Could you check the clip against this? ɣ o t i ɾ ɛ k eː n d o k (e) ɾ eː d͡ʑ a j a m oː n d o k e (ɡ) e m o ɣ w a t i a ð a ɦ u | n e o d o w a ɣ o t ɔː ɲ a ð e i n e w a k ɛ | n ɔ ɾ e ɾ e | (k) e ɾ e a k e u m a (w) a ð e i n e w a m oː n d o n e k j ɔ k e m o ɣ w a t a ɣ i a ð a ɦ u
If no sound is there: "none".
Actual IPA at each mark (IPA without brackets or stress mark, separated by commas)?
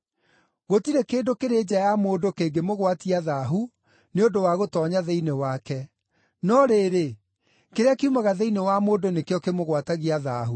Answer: e, ɡ, k, ɣ